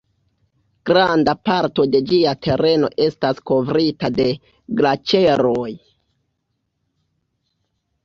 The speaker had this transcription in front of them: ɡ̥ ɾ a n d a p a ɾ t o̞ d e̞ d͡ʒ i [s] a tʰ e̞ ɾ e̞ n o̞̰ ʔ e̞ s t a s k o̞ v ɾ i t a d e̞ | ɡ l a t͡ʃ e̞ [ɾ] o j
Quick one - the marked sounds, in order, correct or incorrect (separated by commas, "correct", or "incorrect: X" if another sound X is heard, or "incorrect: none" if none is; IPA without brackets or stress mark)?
incorrect: none, correct